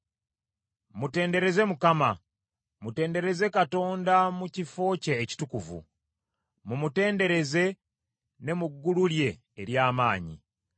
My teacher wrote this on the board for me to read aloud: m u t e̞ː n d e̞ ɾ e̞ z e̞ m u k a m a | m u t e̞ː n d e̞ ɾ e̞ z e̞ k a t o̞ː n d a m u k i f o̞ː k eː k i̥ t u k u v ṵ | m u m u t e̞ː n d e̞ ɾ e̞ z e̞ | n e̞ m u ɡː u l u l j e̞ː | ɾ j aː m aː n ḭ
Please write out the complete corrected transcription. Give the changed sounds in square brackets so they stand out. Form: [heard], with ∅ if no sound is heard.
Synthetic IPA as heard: m u t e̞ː n d e̞ ɾ e̞ z e̞ m u k a m a | m u t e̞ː n d e̞ ɾ e̞ z e̞ k a t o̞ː n d a m u [c] i f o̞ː [c] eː [c] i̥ t u k u v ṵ | m u m u t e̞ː n d e̞ ɾ e̞ z e̞ | n e̞ m u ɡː u l u l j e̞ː | ɾ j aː m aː [ɲ] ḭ